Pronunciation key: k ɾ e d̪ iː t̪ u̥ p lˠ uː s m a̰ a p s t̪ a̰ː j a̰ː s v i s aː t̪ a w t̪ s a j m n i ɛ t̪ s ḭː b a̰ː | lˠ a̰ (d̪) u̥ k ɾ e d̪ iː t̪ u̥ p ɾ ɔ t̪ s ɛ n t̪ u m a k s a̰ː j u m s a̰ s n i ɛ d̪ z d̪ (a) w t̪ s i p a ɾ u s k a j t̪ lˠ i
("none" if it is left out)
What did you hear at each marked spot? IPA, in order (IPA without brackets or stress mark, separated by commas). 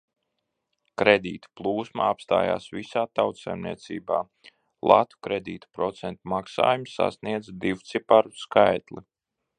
t̪, i